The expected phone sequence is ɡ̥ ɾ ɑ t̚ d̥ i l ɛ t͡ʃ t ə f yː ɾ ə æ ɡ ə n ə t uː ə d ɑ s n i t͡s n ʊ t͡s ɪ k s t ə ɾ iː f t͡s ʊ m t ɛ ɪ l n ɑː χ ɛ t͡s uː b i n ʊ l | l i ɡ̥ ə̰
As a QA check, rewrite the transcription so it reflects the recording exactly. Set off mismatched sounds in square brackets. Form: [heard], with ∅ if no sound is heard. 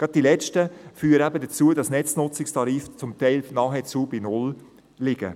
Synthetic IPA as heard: ɡ̥ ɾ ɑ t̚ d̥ i l ɛ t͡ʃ t ə f yː ɾ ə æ [b] ə [d] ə [t͡s] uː ə d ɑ s n [ɛ] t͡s n ʊ t͡s ɪ k s t [ɑ] ɾ iː f t͡s ʊ m t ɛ ɪ l n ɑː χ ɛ t͡s uː b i n ʊ l | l [ɪ] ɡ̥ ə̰

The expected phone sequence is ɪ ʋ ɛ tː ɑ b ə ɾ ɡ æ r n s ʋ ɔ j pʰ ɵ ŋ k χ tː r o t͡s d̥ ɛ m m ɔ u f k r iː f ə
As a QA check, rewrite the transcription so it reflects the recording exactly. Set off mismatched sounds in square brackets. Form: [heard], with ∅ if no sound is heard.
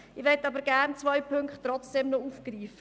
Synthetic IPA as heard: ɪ ʋ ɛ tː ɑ b ə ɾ ɡ æ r n [t͡s] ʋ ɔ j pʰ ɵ ŋ k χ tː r [ɔ] t͡s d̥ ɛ m [n] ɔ u f k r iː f ə

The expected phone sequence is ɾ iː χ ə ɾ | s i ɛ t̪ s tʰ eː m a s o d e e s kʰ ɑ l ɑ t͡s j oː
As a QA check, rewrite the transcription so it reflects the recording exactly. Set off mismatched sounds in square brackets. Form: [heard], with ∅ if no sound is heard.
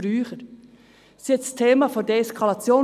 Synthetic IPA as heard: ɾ [yː] χ ə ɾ | s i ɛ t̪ s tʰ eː m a [f] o d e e s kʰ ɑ l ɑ t͡s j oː

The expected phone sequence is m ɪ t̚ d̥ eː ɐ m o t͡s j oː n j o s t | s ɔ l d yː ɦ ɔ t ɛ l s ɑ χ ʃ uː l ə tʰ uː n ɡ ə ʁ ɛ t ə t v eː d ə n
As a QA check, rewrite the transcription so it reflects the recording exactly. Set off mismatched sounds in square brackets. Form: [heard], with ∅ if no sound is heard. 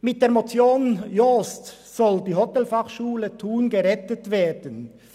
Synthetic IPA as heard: m ɪ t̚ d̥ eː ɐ m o t͡s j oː n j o s t | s ɔ l d [iː] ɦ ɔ t ɛ l [f] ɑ χ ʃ uː l ə tʰ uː n ɡ ə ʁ ɛ t ə t v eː d ə n

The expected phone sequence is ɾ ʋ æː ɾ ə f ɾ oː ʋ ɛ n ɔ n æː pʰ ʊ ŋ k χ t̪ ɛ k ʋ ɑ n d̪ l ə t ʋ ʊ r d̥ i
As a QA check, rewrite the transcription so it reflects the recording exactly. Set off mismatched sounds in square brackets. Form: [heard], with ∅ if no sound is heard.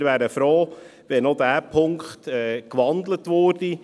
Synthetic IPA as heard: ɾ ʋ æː ɾ ə f ɾ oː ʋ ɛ n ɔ [d] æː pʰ ʊ ŋ k χ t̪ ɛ k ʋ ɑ n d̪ l ə t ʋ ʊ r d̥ i

